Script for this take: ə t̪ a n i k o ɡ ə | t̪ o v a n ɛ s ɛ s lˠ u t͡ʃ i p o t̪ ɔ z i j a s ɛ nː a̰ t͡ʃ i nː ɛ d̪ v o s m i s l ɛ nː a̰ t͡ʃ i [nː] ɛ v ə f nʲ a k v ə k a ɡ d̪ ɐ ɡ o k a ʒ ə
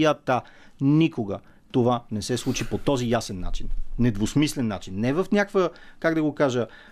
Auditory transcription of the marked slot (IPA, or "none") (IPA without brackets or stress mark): nː